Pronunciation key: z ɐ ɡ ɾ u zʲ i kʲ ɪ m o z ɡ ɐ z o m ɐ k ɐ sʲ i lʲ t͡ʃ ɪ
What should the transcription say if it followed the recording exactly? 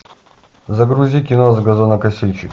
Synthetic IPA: z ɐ ɡ ɾ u zʲ i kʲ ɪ n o z ɡ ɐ z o n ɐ k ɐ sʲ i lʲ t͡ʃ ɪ

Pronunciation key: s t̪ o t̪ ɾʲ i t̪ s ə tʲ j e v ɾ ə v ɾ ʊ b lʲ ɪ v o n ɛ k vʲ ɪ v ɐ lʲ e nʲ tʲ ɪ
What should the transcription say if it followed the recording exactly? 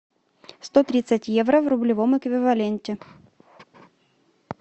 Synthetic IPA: s t̪ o t̪ ɾʲ i t̪ s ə tʲ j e v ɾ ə v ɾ ʊ b lʲ ɪ v o m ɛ k vʲ ɪ v ɐ lʲ e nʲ tʲ ɪ

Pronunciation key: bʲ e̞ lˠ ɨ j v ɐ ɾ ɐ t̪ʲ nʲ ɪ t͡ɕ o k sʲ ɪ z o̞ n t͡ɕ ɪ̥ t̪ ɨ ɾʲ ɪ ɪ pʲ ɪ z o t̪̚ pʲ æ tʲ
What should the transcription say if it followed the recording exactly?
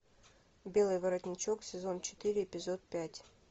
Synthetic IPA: bʲ e̞ lˠ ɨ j v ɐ ɾ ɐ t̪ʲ nʲ ɪ t͡ɕ o k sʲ ɪ z o̞ n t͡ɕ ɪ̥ t̪ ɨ ɾʲ ɪ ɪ pʲ ɪ z o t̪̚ pʲ æ tʲ

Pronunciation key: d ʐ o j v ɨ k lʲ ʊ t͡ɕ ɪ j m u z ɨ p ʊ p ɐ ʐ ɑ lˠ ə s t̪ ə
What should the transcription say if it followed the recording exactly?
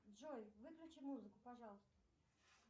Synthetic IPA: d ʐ o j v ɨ k lʲ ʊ t͡ɕ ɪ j m u z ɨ k ʊ p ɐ ʐ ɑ lˠ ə s t̪ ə

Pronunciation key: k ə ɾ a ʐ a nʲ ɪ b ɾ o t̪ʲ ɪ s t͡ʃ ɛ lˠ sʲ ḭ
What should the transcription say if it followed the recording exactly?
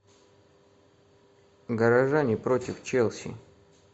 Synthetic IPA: ɡ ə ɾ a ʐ a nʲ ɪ p ɾ o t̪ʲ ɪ f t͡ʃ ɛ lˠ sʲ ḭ

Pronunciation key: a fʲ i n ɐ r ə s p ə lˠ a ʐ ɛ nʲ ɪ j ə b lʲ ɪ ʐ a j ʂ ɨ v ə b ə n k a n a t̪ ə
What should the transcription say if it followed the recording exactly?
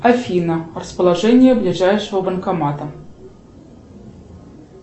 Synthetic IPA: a fʲ i n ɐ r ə s p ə lˠ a ʐ ɛ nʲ ɪ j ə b lʲ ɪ ʐ a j ʂ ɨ v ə b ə n k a m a t̪ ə

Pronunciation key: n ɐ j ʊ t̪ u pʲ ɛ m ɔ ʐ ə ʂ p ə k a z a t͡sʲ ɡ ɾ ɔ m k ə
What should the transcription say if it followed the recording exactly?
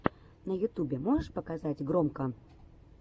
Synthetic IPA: n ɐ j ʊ t̪ u bʲ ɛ m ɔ ʐ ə ʂ p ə k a z a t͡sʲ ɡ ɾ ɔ m k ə

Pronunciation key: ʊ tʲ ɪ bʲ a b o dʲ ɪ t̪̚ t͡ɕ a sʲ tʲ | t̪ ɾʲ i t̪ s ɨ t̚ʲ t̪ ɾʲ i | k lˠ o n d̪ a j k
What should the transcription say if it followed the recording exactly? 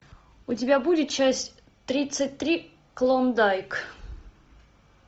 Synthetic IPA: ʊ tʲ ɪ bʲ a b u dʲ ɪ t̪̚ t͡ɕ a sʲ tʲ | t̪ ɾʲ i t̪ s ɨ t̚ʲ t̪ ɾʲ i | k lˠ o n d̪ a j k

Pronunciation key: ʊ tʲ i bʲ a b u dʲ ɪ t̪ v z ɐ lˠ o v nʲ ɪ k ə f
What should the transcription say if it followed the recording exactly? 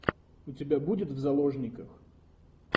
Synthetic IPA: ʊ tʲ ɪ bʲ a b u dʲ ɪ t̪ v z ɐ lˠ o ʐ nʲ ɪ k ə x

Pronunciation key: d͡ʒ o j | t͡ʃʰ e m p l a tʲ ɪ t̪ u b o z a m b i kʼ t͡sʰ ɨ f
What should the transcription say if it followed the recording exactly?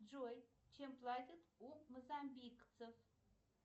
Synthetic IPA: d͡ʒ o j | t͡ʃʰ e m p l a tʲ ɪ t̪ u m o z a m b i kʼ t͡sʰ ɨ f

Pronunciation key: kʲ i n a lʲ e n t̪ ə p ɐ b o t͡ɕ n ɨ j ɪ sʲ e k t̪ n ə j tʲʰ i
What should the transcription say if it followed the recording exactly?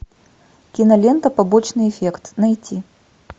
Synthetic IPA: kʲ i n ɐ lʲ e n t̪ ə p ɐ b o t͡ɕ n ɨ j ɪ fʲ e k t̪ n ɐ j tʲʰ i

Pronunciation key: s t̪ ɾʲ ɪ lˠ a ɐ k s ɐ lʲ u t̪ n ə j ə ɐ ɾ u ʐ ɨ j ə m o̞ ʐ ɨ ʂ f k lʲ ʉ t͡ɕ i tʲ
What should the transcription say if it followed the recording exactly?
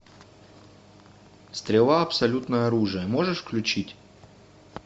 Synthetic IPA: s t̪ ɾʲ ɪ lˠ a ɐ p s ɐ lʲ u t̪ n ə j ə ɐ ɾ u ʐ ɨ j ə m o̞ ʐ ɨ ʂ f k lʲ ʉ t͡ɕ i tʲ

